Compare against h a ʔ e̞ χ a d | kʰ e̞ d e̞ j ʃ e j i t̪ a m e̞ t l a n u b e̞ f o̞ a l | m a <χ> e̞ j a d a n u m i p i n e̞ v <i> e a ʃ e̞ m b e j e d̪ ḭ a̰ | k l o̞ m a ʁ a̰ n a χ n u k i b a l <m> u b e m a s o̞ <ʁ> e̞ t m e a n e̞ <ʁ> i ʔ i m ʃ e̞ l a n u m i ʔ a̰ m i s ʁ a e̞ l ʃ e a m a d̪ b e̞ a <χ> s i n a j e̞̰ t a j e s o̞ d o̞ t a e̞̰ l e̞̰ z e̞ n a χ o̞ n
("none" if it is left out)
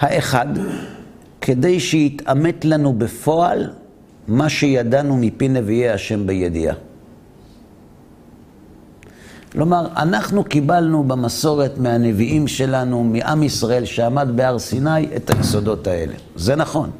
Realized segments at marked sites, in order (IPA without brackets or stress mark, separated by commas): ʃ, i, n, ʁ, v, ʁ